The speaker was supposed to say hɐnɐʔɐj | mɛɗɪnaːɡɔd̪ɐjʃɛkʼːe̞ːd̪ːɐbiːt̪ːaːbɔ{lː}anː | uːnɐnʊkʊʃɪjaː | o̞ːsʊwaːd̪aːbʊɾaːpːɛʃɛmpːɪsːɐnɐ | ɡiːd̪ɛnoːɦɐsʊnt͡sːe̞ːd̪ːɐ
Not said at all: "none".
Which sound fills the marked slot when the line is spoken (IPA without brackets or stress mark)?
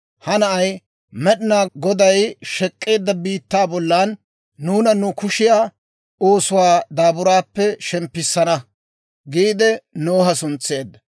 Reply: lː